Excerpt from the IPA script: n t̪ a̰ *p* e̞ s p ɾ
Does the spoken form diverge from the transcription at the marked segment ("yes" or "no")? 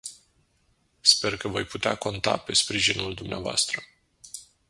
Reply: no